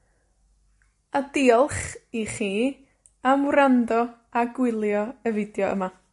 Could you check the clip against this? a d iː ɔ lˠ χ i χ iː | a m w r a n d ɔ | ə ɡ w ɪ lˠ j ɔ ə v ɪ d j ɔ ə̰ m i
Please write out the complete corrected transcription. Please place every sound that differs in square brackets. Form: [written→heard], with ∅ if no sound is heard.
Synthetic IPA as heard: a d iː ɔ lˠ χ i χ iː | a m w r a n d ɔ | [ə→a] ɡ w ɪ lˠ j ɔ ə v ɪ d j ɔ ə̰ m [i→a]